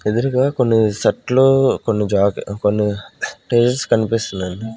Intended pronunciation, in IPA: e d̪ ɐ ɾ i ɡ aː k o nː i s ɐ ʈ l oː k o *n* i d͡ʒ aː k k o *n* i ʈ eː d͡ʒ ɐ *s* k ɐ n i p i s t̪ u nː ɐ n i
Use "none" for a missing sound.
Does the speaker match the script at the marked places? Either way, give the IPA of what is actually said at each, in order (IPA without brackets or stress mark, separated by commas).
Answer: nː, nː, s